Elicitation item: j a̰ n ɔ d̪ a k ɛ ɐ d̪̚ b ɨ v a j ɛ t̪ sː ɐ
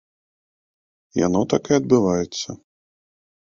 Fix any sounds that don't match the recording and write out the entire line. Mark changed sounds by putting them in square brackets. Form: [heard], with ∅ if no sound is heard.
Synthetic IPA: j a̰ n ɔ [t̪] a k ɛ ɐ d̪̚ b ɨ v a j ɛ t̪ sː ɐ